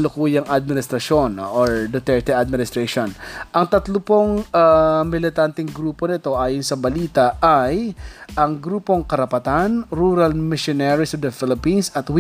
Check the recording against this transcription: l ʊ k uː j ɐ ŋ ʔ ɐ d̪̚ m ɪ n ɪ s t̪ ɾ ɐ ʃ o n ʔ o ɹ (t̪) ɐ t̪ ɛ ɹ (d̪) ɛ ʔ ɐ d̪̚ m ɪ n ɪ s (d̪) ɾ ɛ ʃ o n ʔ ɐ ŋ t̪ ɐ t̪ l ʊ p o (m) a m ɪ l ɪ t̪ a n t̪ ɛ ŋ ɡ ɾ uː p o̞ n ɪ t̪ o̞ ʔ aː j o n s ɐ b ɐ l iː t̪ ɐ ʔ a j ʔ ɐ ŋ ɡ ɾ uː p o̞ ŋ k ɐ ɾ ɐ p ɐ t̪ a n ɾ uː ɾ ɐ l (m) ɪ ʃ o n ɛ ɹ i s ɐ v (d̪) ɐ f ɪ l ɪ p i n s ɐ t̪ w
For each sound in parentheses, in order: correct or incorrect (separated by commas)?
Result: incorrect, incorrect, incorrect, incorrect, correct, correct